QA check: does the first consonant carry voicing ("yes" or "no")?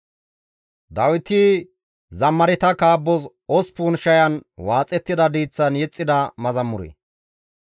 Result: yes